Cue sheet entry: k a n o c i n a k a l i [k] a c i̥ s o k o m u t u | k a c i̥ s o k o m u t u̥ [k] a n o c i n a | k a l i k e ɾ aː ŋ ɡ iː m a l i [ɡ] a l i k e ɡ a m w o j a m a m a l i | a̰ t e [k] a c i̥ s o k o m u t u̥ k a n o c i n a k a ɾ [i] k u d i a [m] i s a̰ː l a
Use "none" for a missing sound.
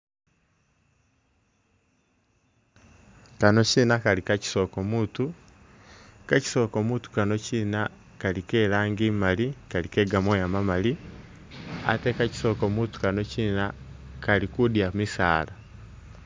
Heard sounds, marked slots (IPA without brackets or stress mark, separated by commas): k, k, k, k, i, m